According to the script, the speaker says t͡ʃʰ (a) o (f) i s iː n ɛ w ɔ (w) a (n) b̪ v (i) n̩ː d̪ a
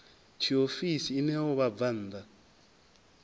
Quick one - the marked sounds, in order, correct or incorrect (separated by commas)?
incorrect, correct, incorrect, incorrect, incorrect